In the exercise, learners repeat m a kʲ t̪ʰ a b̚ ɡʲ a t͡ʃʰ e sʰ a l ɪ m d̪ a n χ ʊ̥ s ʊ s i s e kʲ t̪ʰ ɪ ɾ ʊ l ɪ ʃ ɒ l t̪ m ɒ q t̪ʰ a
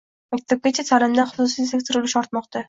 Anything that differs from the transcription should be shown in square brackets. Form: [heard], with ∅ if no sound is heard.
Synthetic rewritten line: m a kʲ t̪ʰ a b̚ ɡʲ a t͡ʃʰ [a] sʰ a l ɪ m d̪ a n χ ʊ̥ s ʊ s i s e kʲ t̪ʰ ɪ ɾ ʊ l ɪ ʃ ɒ [ɾ] t̪ m ɒ q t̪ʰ a